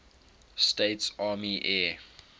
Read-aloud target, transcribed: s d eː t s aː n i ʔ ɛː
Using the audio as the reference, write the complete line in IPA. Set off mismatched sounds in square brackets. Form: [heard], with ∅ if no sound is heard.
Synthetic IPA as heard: s [t] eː t s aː [m] i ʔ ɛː

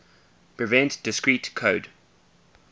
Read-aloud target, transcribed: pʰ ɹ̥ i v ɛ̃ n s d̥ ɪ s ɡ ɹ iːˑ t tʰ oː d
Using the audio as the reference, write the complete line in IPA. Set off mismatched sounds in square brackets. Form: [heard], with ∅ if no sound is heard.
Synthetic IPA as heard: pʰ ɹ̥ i v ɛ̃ n [t] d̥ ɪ s [k] ɹ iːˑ t [kʰ] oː d

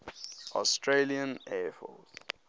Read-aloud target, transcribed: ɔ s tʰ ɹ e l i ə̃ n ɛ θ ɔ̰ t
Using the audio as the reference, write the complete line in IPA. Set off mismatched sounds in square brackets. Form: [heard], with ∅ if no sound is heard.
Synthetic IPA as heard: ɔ s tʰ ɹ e l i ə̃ n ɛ [f] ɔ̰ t

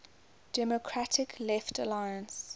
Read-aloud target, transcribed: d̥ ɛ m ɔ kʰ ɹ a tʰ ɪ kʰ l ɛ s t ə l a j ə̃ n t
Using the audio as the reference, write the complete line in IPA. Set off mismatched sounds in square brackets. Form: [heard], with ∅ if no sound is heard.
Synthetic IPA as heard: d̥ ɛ m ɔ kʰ ɹ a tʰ ɪ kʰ l ɛ [f] t ə l a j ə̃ n [s]

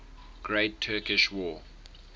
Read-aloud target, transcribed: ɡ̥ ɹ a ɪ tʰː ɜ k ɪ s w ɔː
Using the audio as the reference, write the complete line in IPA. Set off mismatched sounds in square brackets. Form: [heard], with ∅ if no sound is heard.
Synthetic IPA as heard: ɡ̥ ɹ [e] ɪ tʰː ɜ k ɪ [ʃ] w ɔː

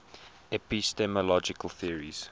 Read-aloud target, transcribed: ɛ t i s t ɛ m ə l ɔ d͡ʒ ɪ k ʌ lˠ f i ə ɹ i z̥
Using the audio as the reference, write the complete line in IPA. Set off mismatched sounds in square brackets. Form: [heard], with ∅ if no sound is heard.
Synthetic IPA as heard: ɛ [p] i s t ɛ m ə l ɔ d͡ʒ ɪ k [ə] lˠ [θ] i ə ɹ i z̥

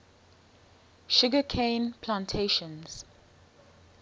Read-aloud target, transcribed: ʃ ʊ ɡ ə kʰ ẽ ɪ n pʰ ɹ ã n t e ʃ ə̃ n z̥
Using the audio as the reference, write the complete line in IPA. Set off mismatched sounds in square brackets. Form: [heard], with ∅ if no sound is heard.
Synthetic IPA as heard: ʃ ʊ ɡ ə kʰ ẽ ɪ n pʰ [l] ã n [tʰ] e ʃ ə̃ n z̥

